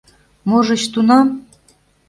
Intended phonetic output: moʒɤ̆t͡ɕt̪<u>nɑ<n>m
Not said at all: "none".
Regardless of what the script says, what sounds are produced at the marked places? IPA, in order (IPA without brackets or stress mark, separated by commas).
u, none